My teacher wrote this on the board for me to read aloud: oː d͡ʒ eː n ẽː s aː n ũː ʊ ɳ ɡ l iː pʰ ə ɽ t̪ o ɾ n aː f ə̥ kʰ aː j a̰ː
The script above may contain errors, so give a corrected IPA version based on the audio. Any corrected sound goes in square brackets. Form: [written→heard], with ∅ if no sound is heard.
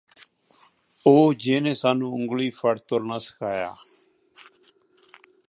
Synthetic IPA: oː d͡ʒ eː n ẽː s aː n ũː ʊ [ɳ→ŋ] ɡ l iː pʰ ə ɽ t̪ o ɾ n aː [f→s] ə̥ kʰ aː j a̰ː

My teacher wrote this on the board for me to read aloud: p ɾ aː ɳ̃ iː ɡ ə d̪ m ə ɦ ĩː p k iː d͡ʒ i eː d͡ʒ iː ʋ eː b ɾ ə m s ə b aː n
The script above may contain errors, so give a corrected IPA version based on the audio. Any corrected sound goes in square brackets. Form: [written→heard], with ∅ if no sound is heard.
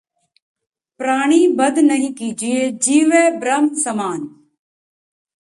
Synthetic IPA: p ɾ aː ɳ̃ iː [ɡ→b] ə d̪ [m→n] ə ɦ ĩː [p→∅] k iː d͡ʒ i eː d͡ʒ iː ʋ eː b ɾ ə m s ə [b→m] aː n

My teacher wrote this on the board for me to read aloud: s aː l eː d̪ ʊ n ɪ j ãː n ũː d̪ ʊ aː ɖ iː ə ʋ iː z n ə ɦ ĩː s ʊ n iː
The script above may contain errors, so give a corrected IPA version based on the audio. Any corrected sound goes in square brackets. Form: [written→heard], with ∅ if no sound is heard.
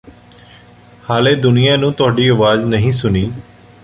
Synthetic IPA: [s→h] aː l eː d̪ ʊ n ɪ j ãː n ũː [d̪→t̪] ʊ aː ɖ iː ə ʋ [iː→aː] z n ə ɦ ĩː s ʊ n iː

